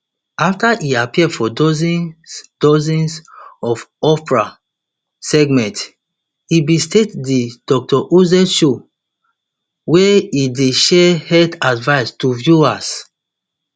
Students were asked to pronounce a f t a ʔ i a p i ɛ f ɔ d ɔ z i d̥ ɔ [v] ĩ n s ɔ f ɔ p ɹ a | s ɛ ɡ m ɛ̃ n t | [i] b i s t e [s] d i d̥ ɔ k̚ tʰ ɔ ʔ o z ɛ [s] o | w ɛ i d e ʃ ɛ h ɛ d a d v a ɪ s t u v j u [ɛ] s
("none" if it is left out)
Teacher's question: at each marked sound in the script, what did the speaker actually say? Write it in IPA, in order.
z, i, t, ʃ, a

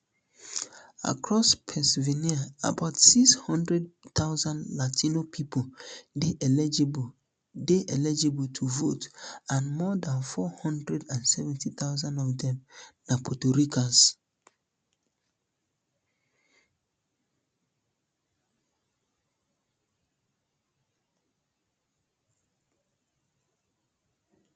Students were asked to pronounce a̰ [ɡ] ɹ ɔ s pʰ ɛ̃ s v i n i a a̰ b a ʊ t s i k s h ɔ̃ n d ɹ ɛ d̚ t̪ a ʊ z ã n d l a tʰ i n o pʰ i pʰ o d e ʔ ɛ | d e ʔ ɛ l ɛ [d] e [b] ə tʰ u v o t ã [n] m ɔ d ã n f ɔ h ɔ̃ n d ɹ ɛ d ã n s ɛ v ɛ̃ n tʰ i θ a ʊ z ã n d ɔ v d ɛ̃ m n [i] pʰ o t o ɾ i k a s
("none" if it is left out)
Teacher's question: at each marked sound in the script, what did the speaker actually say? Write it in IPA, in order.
k, d͡ʒ, b, n, a

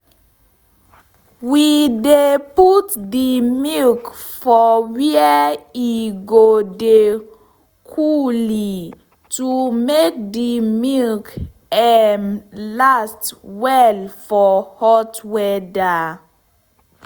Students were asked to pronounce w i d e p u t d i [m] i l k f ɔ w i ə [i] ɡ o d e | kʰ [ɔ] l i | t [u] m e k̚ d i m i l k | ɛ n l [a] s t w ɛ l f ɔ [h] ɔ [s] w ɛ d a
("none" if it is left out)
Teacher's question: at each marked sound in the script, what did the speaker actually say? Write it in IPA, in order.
m, i, u, u, a, h, t

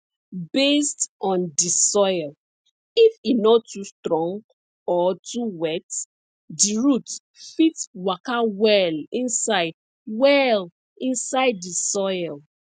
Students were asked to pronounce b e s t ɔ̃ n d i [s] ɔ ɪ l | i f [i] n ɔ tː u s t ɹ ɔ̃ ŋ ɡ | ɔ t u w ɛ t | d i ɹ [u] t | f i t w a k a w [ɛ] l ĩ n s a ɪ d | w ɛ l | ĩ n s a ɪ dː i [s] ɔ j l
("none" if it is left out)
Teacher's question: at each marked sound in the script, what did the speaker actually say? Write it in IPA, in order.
s, i, u, ɛ, s

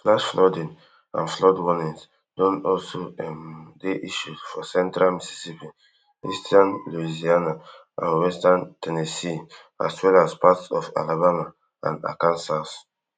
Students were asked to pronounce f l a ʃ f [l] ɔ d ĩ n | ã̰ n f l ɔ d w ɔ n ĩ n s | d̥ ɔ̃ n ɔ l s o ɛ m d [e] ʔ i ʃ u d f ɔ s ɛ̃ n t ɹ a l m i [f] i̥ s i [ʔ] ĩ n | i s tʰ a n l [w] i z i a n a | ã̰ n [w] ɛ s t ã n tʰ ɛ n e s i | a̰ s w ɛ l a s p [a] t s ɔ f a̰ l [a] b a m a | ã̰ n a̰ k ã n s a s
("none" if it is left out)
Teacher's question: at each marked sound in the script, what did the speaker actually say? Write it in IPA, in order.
l, e, s, p, u, w, a, a

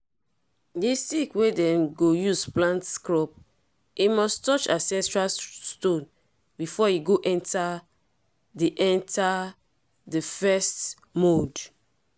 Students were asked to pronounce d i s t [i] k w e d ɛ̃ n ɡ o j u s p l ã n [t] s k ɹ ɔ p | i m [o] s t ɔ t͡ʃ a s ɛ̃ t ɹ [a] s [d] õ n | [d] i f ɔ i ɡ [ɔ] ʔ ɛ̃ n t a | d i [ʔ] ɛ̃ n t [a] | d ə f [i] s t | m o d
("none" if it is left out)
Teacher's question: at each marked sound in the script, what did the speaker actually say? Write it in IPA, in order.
i, t, ɔ, a, t, b, o, ʔ, a, ɛ

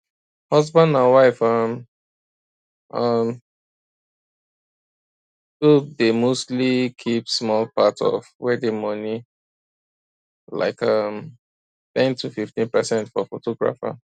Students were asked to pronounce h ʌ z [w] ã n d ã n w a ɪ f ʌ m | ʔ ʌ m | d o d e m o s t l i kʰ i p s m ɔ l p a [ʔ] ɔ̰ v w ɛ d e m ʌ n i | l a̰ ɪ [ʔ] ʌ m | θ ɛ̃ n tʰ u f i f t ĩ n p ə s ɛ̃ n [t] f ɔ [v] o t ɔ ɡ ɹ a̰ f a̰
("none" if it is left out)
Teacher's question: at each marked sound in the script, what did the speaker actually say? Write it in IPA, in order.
b, t, k, t, f

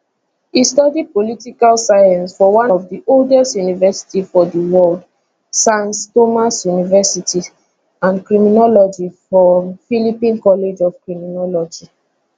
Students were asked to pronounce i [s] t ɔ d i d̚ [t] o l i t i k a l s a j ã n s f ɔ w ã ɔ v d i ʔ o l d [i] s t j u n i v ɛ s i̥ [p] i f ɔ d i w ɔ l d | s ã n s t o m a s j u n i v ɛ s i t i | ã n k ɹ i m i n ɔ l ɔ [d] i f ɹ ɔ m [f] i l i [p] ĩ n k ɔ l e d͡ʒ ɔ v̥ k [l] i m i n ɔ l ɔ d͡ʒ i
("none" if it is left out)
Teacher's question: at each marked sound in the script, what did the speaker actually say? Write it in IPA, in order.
s, p, ɛ, t, d͡ʒ, f, p, ɹ

